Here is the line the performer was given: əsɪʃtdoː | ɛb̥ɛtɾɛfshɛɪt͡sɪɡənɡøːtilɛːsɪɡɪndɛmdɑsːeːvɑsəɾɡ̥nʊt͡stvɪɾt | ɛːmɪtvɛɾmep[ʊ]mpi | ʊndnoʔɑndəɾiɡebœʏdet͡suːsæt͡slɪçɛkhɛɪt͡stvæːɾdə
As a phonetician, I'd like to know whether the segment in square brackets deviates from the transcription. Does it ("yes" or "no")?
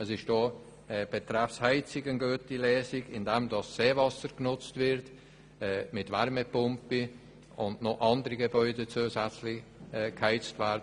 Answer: no